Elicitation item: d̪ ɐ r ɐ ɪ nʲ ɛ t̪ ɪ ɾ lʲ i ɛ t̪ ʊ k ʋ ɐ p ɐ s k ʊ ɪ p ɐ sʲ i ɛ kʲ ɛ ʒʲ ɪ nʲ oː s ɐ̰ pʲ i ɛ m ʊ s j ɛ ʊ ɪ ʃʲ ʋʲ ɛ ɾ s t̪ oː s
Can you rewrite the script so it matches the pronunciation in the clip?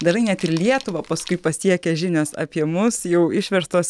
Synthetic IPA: d̪ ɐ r ɐ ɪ nʲ ɛ t̪ ɪ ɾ lʲ i ɛ t̪ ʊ ʋ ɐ p ɐ s k ʊ ɪ p ɐ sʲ i ɛ kʲ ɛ ʒʲ ɪ nʲ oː s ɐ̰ pʲ i ɛ m ʊ s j ɛ ʊ ɪ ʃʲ ʋʲ ɛ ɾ s t̪ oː s

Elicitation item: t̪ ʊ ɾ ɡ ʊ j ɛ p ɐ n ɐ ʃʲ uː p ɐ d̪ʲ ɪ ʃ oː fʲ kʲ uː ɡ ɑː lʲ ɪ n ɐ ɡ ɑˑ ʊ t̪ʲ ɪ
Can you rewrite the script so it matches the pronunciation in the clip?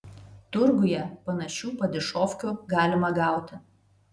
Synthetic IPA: t̪ ʊ ɾ ɡ ʊ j ɛ p ɐ n ɐ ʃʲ uː p ɐ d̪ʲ ɪ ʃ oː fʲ kʲ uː ɡ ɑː lʲ ɪ m ɐ ɡ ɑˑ ʊ t̪ʲ ɪ

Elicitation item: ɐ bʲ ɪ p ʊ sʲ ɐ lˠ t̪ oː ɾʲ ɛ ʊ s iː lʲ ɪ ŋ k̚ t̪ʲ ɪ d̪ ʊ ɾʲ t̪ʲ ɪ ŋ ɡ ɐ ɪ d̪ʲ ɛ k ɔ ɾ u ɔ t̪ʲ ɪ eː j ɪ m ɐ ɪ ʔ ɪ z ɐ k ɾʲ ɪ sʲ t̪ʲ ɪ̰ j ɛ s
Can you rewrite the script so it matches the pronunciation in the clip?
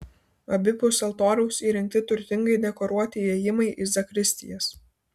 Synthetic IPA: ɐ bʲ ɪ p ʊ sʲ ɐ lˠ t̪ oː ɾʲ ɛ ʊ s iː ɾʲ ɪ ŋ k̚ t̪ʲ ɪ t̪ ʊ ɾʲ t̪ʲ ɪ ŋ ɡ ɐ ɪ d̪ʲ ɛ k ɔ ɾ u ɔ t̪ʲ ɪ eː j ɪ m ɐ ɪ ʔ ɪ z ɐ k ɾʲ ɪ sʲ t̪ʲ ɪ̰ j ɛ s

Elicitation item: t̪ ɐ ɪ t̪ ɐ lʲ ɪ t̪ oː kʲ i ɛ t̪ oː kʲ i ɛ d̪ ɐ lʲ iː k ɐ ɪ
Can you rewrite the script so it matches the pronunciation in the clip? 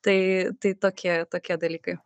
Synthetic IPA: t̪ ɐ ɪ t̪ ɐ ɪ t̪ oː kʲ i ɛ t̪ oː kʲ i ɛ d̪ ɐ lʲ iː k ɐ ɪ

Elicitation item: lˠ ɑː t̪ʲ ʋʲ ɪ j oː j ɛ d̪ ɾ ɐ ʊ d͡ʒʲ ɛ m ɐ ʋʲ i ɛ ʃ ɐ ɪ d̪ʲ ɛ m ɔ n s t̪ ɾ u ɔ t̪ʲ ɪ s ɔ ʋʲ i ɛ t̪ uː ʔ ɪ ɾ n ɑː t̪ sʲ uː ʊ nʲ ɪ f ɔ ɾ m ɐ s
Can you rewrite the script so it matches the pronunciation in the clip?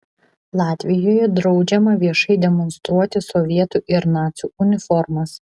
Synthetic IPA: lˠ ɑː t̪ʲ ʋʲ ɪ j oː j ɛ d̪ ɾ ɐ ʊ d͡ʒʲ ɛ m ɐ ʋʲ i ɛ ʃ ɐ ɪ d̪ʲ ɛ m ɔ n s t̪ ɾ u ɔ t̪ʲ ɪ s ɔ ʋʲ i ɛ t̪ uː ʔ ɪ ɾ n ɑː t̪ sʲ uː ʊ nʲ ɪ f ɔ ɾ m ɐ s

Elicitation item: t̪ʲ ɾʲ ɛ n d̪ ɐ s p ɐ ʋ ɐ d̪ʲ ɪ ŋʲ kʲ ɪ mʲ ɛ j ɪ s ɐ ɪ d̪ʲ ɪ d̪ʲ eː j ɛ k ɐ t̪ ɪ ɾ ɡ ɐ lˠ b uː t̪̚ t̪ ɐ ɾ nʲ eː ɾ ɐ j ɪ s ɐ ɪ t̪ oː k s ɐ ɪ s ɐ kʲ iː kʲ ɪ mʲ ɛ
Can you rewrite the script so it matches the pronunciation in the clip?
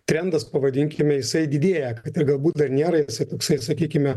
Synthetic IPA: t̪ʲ ɾʲ ɛ n d̪ ɐ s p ɐ ʋ ɐ d̪ʲ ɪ ŋʲ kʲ ɪ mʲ ɛ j ɪ s ɐ ɪ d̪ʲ ɪ d̪ʲ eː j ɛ k ɐ t̪ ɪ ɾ ɡ ɐ lˠ b uː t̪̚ d̪ ɐ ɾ nʲ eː ɾ ɐ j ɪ s ɐ ɪ t̪ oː k s ɐ ɪ s ɐ kʲ iː kʲ ɪ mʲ ɛ

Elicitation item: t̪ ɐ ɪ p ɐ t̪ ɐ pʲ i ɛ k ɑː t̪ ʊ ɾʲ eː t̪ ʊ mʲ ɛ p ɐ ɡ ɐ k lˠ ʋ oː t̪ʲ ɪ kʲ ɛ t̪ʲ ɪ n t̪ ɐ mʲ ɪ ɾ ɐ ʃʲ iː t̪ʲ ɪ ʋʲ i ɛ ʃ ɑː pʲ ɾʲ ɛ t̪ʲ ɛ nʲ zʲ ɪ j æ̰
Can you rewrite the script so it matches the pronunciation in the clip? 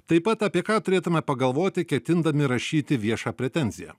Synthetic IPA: t̪ ɐ ɪ p ɐ t̪ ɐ pʲ i ɛ k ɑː t̪ ʊ ɾʲ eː t̪ ʊ mʲ ɛ p ɐ ɡ ɐ lˠ ʋ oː t̪ʲ ɪ kʲ ɛ t̪ʲ ɪ n d̪ ɐ mʲ ɪ ɾ ɐ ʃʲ iː t̪ʲ ɪ ʋʲ i ɛ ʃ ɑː pʲ ɾʲ ɛ t̪ʲ ɛ nʲ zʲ ɪ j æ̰

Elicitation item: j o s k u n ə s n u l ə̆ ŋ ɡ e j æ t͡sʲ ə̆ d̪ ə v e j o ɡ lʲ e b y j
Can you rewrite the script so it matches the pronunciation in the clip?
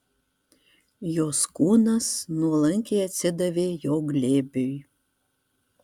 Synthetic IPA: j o s k u n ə s n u l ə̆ ŋ k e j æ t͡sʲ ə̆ d̪ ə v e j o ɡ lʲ e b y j

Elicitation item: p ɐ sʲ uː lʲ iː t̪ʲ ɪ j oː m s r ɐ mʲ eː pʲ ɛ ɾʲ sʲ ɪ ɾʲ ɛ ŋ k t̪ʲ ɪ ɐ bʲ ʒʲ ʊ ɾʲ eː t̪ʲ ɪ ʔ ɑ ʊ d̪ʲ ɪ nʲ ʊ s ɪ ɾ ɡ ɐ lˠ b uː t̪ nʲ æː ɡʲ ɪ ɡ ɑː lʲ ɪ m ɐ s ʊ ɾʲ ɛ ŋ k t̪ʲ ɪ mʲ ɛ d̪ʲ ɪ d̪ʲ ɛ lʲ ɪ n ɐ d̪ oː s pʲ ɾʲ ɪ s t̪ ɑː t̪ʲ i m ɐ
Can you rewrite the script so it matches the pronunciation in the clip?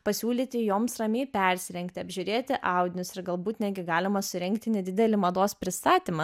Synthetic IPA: p ɐ sʲ uː lʲ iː t̪ʲ ɪ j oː m s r ɐ mʲ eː pʲ ɛ ɾʲ sʲ ɪ ɾʲ ɛ ŋ k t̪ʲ ɪ ɐ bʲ ʒʲ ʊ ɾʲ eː t̪ʲ ɪ ʔ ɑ ʊ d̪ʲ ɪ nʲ ʊ s ɪ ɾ ɡ ɐ lˠ b uː t̪ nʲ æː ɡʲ ɪ ɡ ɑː lʲ ɪ m ɐ s ʊ ɾʲ ɛ ŋ k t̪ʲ ɪ nʲ ɛ d̪ʲ ɪ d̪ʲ ɛ lʲ ɪ m ɐ d̪ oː s pʲ ɾʲ ɪ s t̪ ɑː t̪ʲ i m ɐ

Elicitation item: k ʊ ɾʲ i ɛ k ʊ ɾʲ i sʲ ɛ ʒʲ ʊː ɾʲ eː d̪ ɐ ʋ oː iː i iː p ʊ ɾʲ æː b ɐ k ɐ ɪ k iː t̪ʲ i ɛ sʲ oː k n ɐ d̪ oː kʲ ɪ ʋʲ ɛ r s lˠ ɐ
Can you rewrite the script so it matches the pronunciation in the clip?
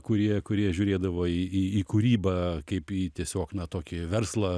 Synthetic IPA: k ʊ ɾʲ i ɛ k ʊ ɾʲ i ɛ ʒʲ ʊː ɾʲ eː d̪ ɐ ʋ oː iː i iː k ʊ ɾʲ iː b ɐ k ɐ ɪ p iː t̪ʲ i ɛ sʲ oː k n ɐ t̪ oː kʲ ɪ ʋʲ ɛ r s lˠ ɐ

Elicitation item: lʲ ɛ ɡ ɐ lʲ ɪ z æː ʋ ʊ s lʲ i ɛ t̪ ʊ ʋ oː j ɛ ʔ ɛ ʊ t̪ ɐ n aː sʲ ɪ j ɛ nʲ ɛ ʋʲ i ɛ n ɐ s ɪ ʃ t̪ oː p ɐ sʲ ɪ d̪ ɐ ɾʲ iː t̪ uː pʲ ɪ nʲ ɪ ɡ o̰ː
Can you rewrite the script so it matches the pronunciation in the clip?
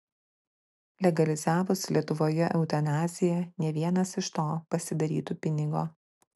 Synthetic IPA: lʲ ɛ ɡ ɐ lʲ ɪ z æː ʋ ʊ s lʲ i ɛ t̪ ʊ ʋ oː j ɛ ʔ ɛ ʊ t̪ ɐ n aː zʲ ɪ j ɛ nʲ ɛ ʋʲ i ɛ n ɐ s ɪ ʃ t̪ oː p ɐ sʲ ɪ d̪ ɐ ɾʲ iː t̪ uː pʲ ɪ nʲ ɪ ɡ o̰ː

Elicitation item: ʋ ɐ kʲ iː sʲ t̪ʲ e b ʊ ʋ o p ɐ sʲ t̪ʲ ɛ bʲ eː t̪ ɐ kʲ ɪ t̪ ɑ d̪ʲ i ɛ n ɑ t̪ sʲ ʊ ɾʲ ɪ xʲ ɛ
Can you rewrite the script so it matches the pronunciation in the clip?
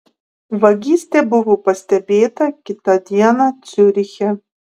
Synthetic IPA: ʋ ɐ ɡʲ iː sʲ t̪ʲ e b ʊ ʋ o p ɐ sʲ t̪ʲ ɛ bʲ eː t̪ ɐ kʲ ɪ t̪ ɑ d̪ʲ i ɛ n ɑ t̪ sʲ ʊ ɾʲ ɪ xʲ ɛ

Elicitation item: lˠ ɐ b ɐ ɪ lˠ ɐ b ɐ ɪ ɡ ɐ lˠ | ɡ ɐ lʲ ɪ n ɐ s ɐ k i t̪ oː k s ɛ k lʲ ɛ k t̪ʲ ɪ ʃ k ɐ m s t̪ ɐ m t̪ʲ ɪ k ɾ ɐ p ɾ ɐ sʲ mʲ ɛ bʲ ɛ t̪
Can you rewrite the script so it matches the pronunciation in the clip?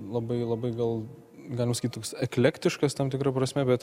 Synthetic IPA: lˠ ɐ b ɐ ɪ lˠ ɐ b ɐ ɪ ɡ ɐ lˠ | ɡ ɑ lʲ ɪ m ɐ s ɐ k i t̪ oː k s ɛ k lʲ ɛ k t̪ʲ ɪ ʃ k ɐ s t̪ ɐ m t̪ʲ ɪ k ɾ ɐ p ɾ ɐ sʲ mʲ ɛ bʲ ɛ t̪

